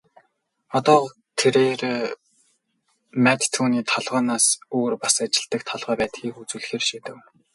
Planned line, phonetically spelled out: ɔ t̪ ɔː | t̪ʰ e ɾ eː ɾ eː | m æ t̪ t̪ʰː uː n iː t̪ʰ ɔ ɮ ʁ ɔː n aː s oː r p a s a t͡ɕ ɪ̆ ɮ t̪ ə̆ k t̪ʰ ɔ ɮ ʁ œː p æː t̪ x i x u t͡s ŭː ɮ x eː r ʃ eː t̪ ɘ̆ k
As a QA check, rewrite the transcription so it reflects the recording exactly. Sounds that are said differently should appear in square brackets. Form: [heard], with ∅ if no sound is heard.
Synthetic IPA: ɔ t̪ ɔː | t̪ʰ e ɾ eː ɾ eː | m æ t̪ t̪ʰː uː n iː t̪ʰ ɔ ɮ ʁ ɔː n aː s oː r p a s a t͡ɕ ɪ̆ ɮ t̪ ə̆ k t̪ʰ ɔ ɮ ʁ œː p æː t̪ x [iː] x u t͡s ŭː ɮ x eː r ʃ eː t̪ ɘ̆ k